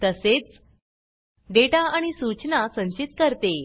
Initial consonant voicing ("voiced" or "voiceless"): voiceless